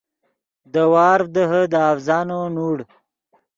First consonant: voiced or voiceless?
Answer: voiced